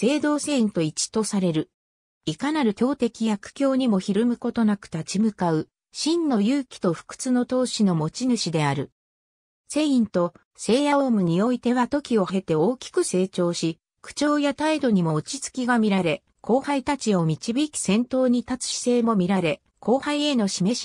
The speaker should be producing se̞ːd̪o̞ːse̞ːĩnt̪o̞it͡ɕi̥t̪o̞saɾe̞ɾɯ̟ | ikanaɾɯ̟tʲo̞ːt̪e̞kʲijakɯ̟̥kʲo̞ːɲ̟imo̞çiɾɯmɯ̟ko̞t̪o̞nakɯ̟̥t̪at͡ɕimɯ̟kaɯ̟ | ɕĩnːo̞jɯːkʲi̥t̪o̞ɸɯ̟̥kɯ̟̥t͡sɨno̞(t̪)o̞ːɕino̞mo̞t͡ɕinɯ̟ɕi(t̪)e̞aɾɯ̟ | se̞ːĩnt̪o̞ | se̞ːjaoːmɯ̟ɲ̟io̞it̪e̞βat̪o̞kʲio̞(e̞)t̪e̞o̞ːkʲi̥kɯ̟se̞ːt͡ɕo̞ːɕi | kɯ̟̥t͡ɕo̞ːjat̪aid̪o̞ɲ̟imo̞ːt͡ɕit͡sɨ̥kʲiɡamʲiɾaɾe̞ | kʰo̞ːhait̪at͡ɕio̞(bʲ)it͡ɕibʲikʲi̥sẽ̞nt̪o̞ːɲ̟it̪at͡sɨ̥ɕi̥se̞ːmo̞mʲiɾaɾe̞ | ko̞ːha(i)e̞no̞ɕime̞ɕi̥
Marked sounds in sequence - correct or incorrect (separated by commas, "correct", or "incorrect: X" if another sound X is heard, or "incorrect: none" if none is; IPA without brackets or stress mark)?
correct, incorrect: d̪, correct, incorrect: mʲ, correct